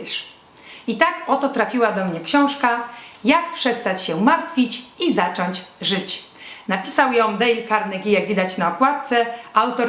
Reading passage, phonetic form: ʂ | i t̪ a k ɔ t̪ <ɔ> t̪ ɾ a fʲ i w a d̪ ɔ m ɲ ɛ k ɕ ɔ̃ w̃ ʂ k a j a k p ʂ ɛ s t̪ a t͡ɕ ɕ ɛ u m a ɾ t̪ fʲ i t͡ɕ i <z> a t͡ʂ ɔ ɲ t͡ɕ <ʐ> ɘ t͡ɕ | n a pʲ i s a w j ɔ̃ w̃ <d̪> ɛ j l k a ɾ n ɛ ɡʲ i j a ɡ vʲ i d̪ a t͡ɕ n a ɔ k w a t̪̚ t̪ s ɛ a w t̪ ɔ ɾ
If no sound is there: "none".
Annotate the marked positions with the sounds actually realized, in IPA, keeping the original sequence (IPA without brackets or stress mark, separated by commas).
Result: ɔ, z, ʐ, d̪